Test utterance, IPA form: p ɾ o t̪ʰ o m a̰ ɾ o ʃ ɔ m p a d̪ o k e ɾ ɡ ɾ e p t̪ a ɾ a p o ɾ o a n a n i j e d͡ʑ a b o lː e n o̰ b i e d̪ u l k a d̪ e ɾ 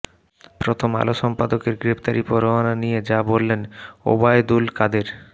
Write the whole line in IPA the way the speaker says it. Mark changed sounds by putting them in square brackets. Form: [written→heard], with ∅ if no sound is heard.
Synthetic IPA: p ɾ o t̪ʰ o m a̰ [ɾ→l] o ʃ ɔ m p a d̪ o k e ɾ ɡ ɾ e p t̪ a ɾ [a→i] p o ɾ o a n a n i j e d͡ʑ a b o lː e n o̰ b [i→a] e d̪ u l k a d̪ e ɾ